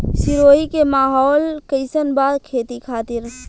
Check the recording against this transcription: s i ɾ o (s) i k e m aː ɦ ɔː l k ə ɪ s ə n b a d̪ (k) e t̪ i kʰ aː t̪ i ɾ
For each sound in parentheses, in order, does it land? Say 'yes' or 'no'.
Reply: no, no

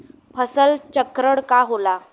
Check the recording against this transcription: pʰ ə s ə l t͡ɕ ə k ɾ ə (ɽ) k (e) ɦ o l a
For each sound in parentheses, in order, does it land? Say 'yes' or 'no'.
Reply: yes, no

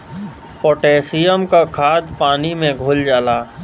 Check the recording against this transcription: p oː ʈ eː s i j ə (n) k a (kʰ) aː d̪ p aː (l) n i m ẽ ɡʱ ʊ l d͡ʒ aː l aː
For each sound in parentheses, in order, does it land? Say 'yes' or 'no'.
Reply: no, yes, no

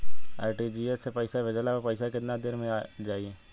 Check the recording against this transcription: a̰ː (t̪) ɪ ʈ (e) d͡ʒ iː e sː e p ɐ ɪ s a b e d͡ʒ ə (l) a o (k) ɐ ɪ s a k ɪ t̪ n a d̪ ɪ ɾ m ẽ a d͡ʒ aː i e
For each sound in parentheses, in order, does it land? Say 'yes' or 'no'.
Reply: no, no, yes, no

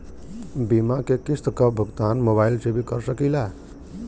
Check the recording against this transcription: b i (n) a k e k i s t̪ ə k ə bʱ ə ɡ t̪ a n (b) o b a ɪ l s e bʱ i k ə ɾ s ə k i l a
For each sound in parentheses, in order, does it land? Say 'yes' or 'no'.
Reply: no, no

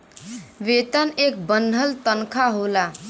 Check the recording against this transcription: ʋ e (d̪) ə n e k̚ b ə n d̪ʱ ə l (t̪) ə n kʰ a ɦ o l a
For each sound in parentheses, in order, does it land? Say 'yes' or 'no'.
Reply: no, yes

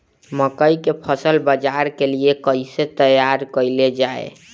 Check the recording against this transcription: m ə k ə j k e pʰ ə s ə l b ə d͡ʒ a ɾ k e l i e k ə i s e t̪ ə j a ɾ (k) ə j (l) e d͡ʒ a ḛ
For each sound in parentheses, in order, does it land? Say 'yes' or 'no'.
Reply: yes, yes

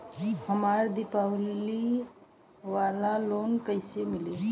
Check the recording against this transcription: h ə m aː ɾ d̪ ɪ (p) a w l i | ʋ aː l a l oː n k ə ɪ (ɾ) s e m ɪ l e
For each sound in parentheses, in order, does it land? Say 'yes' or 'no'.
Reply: yes, no

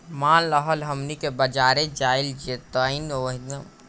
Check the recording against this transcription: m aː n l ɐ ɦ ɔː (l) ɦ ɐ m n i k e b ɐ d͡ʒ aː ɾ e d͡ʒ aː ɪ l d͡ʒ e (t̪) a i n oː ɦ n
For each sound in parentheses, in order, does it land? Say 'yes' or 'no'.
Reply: yes, yes

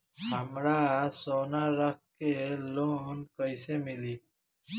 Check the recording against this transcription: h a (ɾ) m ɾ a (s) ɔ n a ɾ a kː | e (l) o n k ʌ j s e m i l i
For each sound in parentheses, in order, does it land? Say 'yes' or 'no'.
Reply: no, yes, yes

